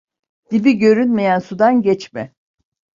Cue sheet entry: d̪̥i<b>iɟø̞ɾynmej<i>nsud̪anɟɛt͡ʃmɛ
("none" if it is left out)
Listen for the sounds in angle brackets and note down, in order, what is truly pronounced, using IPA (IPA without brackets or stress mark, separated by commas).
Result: b, æ